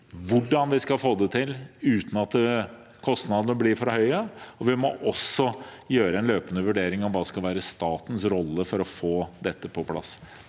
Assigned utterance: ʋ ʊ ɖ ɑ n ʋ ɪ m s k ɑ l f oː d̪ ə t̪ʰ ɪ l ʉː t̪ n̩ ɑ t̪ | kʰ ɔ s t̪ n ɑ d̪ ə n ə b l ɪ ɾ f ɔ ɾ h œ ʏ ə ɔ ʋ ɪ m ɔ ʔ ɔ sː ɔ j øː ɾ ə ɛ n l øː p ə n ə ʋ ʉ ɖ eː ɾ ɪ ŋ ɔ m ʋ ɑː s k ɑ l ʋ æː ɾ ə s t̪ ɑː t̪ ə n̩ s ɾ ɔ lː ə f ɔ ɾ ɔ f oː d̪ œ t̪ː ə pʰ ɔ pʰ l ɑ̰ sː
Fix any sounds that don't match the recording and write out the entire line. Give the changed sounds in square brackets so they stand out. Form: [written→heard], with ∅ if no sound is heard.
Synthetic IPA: ʋ ʊ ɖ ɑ n ʋ ɪ [m→∅] s k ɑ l f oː d̪ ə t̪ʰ ɪ l ʉː t̪ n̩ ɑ t̪ | kʰ ɔ s t̪ n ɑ d̪ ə n ə b l ɪ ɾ f ɔ ɾ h œ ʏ ə ɔ ʋ ɪ m ɔ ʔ ɔ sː ɔ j øː ɾ ə ɛ n l øː p ə n ə ʋ ʉ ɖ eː ɾ ɪ ŋ ɔ m ʋ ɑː s k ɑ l ʋ æː ɾ ə s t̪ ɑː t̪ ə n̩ s ɾ ɔ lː ə f ɔ ɾ ɔ f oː d̪ [œ→ɛ] t̪ː ə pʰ ɔ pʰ l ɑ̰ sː